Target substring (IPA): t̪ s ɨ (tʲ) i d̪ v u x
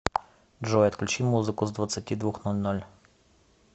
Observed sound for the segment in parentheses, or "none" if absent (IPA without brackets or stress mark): tʲ